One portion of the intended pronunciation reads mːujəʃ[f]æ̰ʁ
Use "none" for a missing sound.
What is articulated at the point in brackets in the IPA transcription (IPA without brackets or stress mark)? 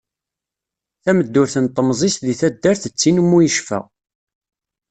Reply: f